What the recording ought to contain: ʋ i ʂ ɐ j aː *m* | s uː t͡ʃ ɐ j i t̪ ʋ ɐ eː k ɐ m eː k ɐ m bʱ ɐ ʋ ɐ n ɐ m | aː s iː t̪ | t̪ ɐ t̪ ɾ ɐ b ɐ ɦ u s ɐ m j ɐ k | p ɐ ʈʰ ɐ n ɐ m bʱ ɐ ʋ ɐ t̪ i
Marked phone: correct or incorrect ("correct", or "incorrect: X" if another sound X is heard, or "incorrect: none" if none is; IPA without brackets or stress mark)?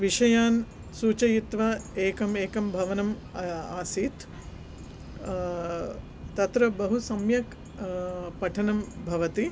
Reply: incorrect: n